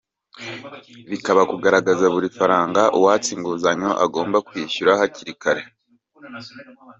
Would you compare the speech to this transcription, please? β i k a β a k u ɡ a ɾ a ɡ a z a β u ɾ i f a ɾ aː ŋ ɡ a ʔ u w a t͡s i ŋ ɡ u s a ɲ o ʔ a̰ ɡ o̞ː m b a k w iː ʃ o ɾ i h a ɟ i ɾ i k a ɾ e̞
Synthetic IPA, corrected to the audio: β i k a β a k u ɡ a ɾ a ɡ a z a β u ɾ i f a ɾ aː ŋ ɡ a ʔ u w a t͡s i ŋ ɡ u z a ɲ o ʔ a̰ ɡ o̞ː m b a k w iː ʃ u ɾ a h a c i ɾ i k a ɾ e̞